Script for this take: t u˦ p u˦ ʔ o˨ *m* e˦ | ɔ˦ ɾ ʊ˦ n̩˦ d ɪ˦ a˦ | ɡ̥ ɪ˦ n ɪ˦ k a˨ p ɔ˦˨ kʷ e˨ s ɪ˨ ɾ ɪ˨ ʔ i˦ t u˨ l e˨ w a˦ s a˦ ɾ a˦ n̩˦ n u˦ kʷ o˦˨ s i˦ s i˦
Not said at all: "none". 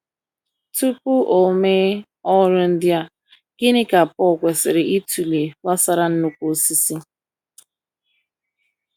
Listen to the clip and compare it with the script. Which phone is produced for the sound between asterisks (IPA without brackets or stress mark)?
m